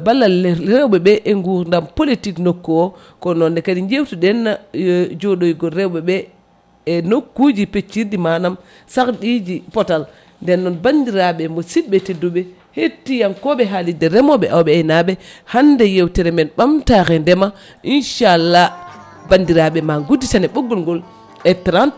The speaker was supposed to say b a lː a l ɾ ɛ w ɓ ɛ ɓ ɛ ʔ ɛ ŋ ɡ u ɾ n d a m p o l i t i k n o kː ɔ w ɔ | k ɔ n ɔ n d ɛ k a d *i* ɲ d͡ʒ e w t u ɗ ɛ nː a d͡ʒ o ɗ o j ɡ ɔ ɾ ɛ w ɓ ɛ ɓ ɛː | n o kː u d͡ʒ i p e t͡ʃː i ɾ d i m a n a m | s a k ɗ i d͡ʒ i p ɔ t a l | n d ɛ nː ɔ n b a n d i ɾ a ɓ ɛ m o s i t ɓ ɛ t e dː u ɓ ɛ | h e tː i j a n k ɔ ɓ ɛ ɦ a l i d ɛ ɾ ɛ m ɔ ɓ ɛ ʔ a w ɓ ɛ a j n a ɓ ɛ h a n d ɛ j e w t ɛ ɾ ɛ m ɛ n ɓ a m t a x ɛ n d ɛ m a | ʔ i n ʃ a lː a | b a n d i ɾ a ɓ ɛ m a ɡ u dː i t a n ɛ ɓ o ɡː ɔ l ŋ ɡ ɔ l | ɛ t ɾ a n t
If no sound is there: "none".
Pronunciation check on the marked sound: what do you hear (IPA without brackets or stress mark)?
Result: i